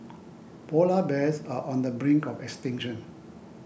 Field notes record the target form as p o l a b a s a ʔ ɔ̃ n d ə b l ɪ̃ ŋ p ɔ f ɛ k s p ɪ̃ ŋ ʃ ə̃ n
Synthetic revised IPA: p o l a b ɛ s a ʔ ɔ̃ n d ə b ɹ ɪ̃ ŋ k ɔ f ɛ k s t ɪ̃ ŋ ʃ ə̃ n